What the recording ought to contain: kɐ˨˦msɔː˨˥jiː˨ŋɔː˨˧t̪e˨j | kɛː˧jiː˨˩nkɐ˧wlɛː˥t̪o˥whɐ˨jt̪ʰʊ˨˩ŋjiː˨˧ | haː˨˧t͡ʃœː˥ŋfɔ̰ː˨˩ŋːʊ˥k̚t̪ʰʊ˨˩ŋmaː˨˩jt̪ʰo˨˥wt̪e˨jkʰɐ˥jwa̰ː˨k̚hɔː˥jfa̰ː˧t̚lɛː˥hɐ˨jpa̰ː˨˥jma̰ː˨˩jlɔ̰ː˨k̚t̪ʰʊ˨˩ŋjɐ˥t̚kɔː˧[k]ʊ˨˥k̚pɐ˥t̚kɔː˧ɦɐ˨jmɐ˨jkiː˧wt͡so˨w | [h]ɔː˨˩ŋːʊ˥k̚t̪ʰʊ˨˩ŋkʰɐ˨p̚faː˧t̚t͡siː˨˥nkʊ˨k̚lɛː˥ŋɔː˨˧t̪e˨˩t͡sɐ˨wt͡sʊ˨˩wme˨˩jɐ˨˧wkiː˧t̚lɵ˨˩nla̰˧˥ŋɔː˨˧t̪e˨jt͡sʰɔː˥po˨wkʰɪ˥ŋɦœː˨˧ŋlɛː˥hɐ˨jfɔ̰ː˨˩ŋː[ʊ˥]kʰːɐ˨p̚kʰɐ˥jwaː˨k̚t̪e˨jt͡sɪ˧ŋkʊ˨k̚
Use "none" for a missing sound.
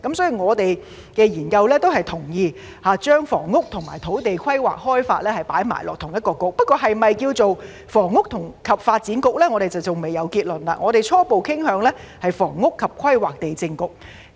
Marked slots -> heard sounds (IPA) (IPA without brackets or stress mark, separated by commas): k, f, ʊ˥